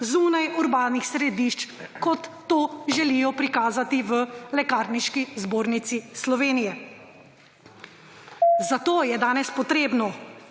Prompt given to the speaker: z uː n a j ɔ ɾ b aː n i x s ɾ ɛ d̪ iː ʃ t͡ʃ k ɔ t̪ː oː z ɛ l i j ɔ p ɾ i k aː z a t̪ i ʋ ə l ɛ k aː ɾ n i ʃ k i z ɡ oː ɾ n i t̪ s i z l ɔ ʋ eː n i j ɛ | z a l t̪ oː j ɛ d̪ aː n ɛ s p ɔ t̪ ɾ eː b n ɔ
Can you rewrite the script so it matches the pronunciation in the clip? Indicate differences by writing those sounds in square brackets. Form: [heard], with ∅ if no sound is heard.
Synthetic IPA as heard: z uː n a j [u] ɾ b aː n i x s ɾ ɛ d̪ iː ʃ t͡ʃ k ɔ t̪ː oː [ʒ] ɛ l i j ɔ p ɾ i k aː z a t̪ i ʋ ə l ɛ k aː ɾ n i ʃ k i z [b] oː ɾ n i t̪ s i [s] l ɔ ʋ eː n i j ɛ | z a [∅] t̪ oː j ɛ d̪ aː n ɛ s p ɔ t̪ ɾ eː b n ɔ